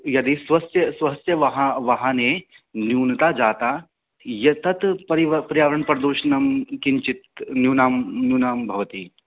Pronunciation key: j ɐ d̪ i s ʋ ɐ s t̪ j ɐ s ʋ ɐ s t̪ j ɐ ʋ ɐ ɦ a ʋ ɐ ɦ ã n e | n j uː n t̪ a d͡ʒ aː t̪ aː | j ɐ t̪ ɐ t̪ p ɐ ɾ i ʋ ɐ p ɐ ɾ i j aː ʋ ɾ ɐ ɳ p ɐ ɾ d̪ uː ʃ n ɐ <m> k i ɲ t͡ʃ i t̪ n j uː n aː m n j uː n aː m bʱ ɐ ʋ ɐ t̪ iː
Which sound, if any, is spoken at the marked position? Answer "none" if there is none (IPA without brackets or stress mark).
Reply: m